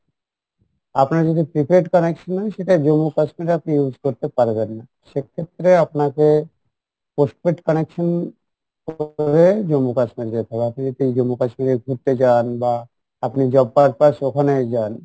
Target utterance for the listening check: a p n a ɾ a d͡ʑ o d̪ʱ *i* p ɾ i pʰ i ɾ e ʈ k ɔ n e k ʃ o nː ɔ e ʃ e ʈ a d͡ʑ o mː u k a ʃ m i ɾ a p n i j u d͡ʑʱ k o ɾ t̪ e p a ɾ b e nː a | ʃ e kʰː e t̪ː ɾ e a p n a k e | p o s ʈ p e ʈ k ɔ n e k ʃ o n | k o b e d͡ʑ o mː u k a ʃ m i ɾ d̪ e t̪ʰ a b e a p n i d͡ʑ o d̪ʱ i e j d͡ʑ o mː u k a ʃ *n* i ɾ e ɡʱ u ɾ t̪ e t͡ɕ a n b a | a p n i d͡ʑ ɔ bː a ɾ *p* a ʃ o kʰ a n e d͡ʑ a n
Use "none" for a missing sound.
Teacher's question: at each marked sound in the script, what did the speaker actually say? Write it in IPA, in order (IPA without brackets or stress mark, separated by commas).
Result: i, m, p